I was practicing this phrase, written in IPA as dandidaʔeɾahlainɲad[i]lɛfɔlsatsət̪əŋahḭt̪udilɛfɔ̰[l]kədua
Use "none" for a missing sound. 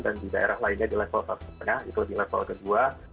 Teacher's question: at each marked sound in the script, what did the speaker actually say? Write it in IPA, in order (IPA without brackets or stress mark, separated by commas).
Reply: i, l